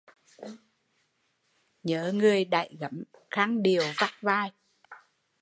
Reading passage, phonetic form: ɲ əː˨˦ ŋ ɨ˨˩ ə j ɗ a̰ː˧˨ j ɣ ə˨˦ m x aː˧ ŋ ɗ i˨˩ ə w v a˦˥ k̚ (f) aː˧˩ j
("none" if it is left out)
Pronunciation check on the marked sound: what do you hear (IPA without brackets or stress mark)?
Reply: v